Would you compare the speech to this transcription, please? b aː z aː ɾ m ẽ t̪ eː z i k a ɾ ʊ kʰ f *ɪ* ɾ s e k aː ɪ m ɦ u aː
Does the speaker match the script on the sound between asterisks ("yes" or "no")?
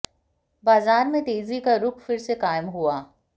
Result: yes